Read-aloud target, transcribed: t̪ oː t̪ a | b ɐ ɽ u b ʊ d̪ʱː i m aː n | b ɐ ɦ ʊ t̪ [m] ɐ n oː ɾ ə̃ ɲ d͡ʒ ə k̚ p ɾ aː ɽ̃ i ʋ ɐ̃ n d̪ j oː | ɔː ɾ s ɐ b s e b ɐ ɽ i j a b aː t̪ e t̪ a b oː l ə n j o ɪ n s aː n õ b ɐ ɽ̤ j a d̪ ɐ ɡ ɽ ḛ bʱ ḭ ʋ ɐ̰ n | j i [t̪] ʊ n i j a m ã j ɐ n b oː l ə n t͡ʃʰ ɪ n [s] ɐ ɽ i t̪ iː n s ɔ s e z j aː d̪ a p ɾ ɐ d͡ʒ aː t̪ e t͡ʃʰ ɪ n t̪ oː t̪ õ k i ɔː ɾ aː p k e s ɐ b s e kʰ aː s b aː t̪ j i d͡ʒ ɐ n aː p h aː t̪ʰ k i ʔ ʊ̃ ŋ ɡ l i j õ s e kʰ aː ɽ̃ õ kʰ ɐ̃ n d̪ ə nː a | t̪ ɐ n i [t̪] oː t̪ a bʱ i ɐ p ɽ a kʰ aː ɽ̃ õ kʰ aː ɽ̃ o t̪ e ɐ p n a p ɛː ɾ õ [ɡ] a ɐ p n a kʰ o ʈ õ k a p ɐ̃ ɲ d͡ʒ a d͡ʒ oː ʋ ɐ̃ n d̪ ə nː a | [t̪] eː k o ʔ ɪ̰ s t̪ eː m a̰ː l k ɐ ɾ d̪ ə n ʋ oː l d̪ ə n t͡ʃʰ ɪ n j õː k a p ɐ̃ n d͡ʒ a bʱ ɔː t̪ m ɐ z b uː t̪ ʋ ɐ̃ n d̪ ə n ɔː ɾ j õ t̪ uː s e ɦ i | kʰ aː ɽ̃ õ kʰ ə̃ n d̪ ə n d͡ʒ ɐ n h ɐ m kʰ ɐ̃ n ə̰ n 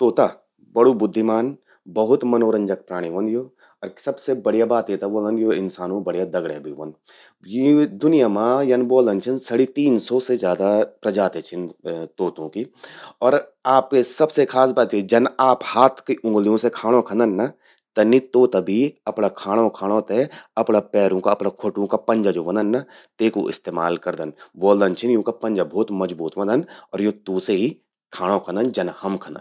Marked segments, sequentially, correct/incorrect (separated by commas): correct, incorrect, correct, correct, incorrect, correct